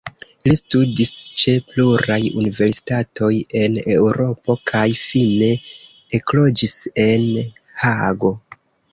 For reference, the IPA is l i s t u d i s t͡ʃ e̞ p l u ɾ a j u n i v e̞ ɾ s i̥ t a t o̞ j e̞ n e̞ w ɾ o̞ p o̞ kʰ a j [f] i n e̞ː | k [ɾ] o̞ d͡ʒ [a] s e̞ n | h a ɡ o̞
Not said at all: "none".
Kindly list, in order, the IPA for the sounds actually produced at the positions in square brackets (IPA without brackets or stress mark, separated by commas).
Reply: f, l, i